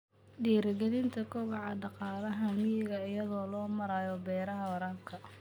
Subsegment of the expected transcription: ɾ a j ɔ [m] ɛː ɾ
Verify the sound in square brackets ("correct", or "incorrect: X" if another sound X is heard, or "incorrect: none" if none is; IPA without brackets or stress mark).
incorrect: b